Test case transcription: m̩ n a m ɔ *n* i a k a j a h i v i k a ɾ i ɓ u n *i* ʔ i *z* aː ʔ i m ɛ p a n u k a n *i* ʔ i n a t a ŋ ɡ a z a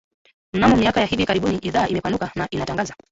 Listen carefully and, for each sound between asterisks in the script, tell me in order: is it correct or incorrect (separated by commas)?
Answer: incorrect, correct, incorrect, incorrect